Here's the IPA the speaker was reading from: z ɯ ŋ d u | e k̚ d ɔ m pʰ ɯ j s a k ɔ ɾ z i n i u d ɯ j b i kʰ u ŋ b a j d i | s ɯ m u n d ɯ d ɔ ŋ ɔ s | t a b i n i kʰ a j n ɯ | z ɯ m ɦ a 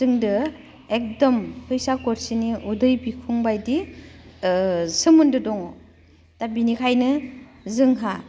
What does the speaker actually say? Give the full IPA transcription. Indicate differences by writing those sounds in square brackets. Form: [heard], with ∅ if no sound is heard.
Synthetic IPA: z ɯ ŋ d [ɯ] | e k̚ d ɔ m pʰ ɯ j s a k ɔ ɾ [s] i n i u d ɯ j b i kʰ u ŋ b a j d i | s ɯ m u n d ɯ d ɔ ŋ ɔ [∅] | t a b i n i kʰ a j n ɯ | z ɯ [ŋ] ɦ a